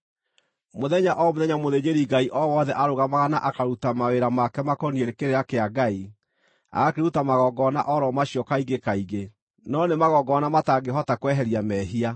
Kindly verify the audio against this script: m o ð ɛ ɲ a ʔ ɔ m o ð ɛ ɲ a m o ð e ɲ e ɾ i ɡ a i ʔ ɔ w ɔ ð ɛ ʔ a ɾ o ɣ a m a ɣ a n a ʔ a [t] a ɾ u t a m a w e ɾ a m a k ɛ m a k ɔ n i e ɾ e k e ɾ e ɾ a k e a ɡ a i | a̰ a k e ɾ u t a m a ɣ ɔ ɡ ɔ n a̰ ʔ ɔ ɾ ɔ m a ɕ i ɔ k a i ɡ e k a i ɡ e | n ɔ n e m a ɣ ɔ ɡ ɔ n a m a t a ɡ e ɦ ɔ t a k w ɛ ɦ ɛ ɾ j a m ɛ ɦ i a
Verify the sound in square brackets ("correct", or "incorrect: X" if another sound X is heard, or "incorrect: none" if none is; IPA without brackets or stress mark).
incorrect: k